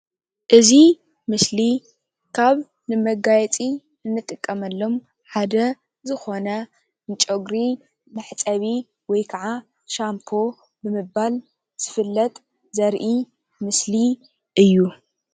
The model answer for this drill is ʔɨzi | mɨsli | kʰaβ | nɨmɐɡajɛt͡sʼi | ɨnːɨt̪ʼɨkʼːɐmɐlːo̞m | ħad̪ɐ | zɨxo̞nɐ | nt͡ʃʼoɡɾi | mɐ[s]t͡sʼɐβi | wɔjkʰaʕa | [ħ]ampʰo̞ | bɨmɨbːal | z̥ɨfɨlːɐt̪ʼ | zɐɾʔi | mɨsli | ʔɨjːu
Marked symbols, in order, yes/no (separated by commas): no, no